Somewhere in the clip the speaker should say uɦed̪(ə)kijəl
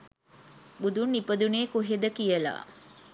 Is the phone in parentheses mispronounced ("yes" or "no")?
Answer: no